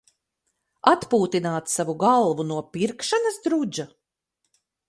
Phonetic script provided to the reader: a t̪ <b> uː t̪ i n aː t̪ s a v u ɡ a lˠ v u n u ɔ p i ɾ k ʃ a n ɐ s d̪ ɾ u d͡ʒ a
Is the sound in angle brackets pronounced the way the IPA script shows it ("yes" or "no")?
no